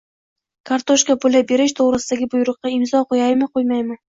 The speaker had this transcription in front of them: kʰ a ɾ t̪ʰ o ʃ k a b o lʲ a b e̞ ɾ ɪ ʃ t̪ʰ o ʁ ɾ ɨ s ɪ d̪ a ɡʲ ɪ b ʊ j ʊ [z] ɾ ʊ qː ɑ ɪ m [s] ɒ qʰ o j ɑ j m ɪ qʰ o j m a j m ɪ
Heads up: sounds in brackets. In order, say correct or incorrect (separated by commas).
incorrect, incorrect